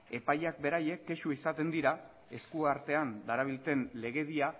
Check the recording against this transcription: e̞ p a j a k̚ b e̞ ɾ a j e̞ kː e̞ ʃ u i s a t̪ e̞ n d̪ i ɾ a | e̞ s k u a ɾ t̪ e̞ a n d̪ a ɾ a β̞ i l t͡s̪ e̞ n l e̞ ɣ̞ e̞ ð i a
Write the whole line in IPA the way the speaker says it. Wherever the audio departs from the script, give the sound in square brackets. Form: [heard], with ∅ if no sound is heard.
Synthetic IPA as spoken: e̞ p a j a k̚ b e̞ ɾ a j e̞ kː e̞ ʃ u i s a t̪ e̞ n d̪ i ɾ a | e̞ s k u a ɾ t̪ e̞ a n d̪ a ɾ a β̞ i l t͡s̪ e̞ n l e̞ ɣ̞ e̞ ð i a